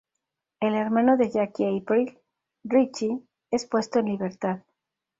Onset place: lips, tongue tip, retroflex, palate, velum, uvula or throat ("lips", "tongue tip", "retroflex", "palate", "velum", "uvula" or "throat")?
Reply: tongue tip